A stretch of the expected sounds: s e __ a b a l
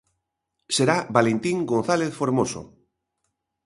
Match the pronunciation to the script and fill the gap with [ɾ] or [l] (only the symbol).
ɾ